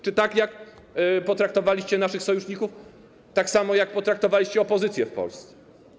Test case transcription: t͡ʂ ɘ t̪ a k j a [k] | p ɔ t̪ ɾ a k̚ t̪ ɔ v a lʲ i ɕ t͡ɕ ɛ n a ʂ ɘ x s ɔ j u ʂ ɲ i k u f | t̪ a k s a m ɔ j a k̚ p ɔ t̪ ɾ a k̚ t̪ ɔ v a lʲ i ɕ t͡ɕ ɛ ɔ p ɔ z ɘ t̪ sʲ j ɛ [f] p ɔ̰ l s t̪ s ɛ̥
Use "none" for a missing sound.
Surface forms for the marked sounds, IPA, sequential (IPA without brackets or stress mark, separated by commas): k, f